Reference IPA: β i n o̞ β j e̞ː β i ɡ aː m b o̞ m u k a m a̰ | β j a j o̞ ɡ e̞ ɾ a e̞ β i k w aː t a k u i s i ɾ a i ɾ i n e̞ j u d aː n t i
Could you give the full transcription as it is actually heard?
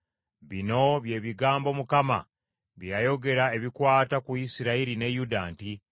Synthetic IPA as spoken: β i n o̞ β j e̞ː β i ɡ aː m b o̞ m u k a m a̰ | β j a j o̞ ɡ e̞ ɾ a e̞ β i k w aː t a k u i s i ɾ a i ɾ i n e̞ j u d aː n t i